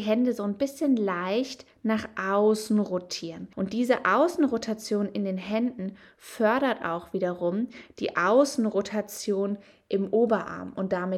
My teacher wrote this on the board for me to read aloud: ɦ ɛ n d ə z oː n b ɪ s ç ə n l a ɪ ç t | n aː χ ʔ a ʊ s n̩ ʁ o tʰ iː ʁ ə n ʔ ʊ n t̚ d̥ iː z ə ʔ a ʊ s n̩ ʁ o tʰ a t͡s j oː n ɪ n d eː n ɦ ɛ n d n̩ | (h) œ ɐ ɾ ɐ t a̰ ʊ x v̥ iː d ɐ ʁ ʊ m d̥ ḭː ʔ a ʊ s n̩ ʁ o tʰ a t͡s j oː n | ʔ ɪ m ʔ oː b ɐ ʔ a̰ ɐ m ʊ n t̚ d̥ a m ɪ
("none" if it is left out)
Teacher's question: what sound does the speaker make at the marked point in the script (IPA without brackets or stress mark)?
f